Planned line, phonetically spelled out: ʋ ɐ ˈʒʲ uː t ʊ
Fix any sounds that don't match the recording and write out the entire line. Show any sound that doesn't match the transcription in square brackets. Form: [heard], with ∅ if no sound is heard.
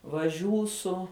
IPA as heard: ʋ ɐ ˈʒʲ uː [s] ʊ